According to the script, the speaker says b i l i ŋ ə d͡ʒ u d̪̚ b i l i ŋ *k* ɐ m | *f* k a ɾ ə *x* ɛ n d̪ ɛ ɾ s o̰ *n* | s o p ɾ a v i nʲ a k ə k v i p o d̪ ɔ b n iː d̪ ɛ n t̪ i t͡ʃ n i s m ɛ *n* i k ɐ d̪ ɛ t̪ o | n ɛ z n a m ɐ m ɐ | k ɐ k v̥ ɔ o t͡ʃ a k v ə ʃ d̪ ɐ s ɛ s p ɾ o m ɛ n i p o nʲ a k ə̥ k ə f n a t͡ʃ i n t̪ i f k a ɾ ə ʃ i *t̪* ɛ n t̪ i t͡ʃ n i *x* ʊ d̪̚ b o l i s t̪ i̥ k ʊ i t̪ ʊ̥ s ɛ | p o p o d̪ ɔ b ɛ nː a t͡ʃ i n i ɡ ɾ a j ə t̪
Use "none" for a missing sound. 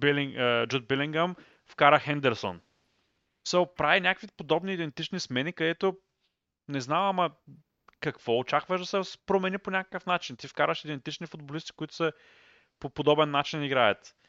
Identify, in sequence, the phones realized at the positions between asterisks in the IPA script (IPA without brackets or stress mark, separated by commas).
ɡ, f, x, n, n, d̪, f